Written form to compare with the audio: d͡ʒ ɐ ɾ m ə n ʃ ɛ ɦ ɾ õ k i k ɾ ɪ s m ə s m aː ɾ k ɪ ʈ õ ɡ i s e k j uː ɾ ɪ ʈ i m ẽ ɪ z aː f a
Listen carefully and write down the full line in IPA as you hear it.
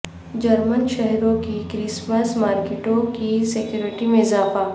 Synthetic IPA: d͡ʒ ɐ ɾ m ə n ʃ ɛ ɦ ɾ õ k i k ɾ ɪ s m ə s m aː ɾ k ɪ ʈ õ k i s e k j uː ɾ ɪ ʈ i m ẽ ɪ z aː f a

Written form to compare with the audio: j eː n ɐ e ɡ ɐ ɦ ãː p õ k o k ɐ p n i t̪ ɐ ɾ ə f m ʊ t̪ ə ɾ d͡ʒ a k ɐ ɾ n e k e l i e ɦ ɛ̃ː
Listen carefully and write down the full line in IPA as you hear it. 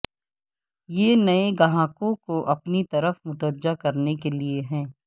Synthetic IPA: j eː n ɐ e ɡ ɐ ɦ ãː k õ k o ʔ ɐ p n i t̪ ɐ ɾ ə f m ʊ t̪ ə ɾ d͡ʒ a k ɐ ɾ n e k e l i e ɦ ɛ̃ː

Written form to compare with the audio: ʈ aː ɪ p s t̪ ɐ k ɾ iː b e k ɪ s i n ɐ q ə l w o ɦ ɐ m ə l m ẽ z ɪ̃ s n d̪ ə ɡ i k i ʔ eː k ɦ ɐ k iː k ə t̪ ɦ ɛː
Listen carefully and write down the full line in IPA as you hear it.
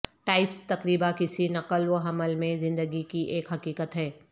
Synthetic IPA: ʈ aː ɪ p s t̪ ɐ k ɾ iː b a k ɪ s i n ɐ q ə l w o ɦ ɐ m ə l m ẽ z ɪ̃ n d̪ ə ɡ i k i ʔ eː k ɦ ɐ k iː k ə t̪ ɦ ɛː

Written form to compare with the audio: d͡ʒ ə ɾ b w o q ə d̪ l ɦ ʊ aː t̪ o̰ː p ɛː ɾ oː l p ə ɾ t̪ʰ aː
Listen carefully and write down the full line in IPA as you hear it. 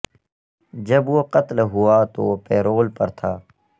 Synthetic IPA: d͡ʒ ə b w o q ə t̪ l ɦ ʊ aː t̪ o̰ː p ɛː ɾ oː l p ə ɾ t̪ʰ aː

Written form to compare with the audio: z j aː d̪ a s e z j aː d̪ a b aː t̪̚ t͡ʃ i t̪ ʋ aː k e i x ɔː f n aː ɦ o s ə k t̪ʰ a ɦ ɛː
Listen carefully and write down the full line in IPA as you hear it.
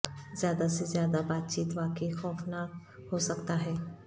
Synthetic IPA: z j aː d̪ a s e z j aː d̪ a b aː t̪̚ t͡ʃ iː t̪ ʋ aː k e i x ɔː f n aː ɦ o s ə k t̪ a ɦ ɛː

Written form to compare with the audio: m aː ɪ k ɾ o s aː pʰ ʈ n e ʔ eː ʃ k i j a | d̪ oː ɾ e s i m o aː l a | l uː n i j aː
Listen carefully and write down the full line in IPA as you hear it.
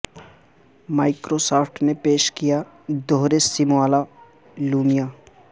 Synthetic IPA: m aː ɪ k ɾ o s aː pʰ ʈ n e p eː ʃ k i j a | d̪ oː ɾ e s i m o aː l a | l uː m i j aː

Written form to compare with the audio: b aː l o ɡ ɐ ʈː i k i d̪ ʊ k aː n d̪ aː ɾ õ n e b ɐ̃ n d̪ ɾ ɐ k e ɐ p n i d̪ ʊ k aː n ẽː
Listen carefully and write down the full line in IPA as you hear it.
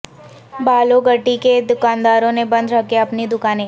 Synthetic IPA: b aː l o ɡ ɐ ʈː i k e d̪ ʊ k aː n d̪ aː ɾ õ n e b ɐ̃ n d̪ ɾ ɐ k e ɐ p n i d̪ ʊ k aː n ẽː

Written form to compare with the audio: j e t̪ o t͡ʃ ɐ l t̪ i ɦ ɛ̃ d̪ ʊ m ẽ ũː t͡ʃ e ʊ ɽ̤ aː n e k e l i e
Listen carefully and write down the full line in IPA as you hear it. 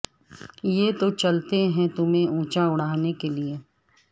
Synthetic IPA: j e t̪ o t͡ʃ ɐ l t̪ e ɦ ɛ̃ t̪ ʊ m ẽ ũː t͡ʃ a ʊ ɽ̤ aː n e k e l i e

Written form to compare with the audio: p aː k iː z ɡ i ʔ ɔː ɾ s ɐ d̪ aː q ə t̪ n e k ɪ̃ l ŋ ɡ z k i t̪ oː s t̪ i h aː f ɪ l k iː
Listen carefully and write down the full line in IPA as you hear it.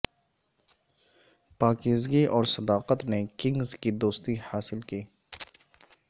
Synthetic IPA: p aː k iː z ɡ i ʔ ɔː ɾ s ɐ d̪ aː q ə t̪ n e k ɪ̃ ŋ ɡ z k i d̪ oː s t̪ i h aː s ɪ l k iː

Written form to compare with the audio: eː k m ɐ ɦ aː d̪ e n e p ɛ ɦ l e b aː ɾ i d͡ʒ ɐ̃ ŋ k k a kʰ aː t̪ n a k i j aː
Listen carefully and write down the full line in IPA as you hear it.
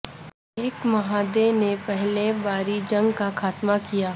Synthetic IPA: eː k m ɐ ɦ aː d̪ e n e p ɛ ɦ l e b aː ɾ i d͡ʒ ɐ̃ ŋ ɡ k a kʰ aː t̪ m a k i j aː

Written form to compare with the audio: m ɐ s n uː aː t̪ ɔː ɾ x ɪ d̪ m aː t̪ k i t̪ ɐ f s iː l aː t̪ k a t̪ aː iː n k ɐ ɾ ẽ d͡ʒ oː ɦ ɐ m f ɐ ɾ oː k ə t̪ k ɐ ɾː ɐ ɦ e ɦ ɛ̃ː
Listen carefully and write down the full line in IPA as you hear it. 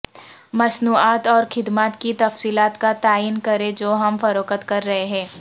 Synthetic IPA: m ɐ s n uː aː t̪ ɔː ɾ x ɪ d̪ m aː t̪ k i t̪ ɐ f s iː l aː t̪ k a t̪ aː iː n k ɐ ɾ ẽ d͡ʒ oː ɦ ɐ m f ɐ ɾ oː k ə t̪ k ɐ ɾː ɐ ɦ e ɦ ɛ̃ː

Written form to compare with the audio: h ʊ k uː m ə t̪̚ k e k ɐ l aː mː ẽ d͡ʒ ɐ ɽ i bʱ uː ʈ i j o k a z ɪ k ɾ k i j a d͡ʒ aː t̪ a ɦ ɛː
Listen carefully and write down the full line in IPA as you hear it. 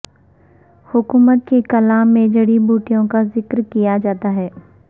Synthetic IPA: h ʊ k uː m ə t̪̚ k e k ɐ l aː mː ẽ d͡ʒ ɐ ɽ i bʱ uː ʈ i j õ k a z ɪ k ɾ k i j a d͡ʒ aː t̪ a ɦ ɛː

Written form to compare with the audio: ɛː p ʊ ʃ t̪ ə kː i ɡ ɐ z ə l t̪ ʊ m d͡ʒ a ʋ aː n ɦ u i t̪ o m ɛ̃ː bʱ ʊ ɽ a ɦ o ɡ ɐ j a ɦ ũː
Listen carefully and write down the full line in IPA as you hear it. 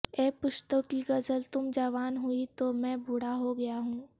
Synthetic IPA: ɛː p ʊ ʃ t̪ ə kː i ɡ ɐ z ə l t̪ ʊ m d͡ʒ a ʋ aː n ɦ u i t̪ o m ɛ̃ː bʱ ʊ ɽ a ɦ o ɡ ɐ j a ɦ ũː

